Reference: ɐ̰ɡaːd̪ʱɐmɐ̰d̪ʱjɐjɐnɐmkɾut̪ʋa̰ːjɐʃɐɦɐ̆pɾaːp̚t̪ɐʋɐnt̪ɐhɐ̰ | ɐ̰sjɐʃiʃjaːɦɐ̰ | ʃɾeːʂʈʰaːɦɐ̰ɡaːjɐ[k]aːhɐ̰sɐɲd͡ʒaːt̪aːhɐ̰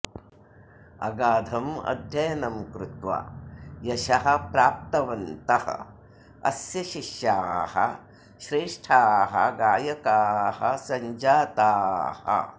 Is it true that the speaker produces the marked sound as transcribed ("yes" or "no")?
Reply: yes